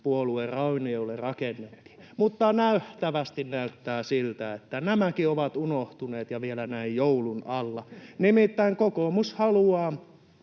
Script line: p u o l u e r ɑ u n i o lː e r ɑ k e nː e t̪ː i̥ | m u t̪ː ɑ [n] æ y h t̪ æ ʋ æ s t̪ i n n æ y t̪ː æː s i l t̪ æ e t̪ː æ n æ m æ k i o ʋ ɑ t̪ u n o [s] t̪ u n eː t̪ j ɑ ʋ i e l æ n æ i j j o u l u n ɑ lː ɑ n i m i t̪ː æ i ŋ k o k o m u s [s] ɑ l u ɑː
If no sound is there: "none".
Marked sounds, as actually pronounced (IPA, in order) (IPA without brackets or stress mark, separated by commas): n, h, h